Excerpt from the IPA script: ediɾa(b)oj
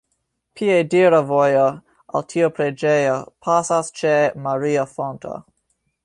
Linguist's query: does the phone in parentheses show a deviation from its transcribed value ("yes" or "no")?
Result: yes